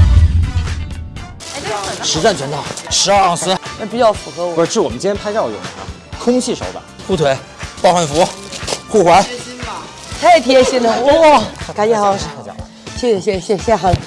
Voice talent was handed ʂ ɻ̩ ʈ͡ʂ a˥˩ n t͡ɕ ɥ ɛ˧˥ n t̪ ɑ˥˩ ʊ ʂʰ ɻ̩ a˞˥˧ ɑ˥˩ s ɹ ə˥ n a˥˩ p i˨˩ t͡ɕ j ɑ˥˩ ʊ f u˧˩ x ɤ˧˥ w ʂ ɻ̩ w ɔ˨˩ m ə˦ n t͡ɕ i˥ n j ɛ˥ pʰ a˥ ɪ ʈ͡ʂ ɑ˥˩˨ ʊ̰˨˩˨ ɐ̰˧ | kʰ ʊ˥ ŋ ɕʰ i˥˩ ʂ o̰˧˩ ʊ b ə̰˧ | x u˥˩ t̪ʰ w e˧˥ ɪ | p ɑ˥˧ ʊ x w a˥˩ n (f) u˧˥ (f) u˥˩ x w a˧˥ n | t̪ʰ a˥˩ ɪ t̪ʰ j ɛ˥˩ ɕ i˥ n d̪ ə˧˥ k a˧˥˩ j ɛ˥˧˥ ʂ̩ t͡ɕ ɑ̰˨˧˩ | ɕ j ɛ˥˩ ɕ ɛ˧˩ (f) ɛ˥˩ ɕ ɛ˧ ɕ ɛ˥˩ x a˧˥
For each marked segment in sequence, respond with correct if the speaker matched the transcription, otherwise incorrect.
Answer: correct, incorrect, incorrect

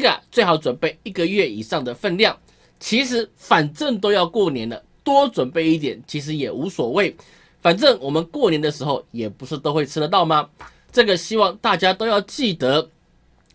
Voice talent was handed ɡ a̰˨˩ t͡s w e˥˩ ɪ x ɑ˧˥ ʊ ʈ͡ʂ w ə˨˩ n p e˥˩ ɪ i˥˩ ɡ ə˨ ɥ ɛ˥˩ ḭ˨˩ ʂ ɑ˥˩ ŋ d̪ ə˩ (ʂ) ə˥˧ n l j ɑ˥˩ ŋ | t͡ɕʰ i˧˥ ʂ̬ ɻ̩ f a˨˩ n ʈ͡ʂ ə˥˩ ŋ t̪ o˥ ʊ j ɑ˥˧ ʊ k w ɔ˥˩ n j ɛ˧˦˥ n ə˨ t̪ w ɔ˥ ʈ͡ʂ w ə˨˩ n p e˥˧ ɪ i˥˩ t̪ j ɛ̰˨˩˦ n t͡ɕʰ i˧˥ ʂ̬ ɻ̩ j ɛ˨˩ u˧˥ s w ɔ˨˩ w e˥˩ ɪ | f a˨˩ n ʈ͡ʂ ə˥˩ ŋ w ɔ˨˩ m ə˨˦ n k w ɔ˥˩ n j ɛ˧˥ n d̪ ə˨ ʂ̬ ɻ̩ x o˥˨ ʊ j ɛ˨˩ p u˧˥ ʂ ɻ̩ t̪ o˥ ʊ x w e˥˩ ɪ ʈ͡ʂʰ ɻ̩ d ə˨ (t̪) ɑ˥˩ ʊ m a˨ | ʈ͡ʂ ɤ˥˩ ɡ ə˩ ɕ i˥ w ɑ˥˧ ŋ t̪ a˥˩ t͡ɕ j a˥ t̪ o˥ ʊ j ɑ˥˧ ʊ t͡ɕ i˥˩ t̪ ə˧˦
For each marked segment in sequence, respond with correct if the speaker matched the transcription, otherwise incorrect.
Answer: incorrect, correct

